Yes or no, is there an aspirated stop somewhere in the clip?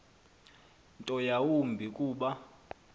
no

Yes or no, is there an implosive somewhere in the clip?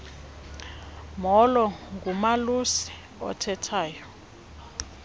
no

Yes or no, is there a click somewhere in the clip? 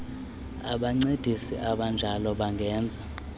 yes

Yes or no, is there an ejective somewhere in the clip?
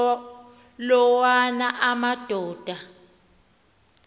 no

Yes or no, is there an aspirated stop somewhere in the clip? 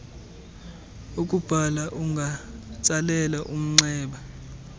no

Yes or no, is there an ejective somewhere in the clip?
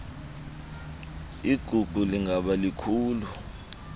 no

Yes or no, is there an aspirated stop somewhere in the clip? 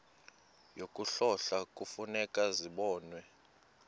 no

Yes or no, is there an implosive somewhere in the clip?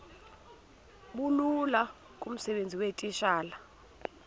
yes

